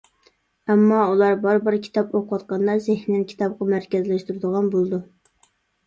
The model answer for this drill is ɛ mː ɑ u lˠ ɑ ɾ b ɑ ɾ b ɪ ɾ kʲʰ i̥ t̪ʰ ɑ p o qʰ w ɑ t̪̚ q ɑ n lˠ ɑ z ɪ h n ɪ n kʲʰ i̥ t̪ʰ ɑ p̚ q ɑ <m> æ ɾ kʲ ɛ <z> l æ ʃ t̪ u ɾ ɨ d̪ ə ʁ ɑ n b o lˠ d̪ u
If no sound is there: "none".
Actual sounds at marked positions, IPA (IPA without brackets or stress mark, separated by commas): m, z